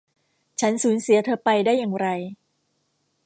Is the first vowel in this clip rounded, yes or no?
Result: no